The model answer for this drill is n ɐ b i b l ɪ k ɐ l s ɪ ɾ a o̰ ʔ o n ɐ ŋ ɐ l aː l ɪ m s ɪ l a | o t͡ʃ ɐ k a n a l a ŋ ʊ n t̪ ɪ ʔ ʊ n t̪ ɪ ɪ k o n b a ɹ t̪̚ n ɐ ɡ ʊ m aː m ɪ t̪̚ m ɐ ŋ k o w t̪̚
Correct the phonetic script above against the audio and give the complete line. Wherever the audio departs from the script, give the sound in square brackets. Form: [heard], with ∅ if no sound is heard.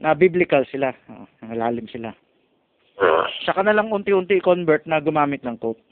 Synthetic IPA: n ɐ b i b l ɪ k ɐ l s ɪ [l] a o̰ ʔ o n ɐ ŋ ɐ l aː l ɪ m s ɪ l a | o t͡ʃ ɐ k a n [ɐ] l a ŋ ʊ n t̪ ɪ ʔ ʊ n t̪ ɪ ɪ k o n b [ɛ] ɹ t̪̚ n ɐ ɡ ʊ m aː m ɪ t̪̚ [n] ɐ ŋ k o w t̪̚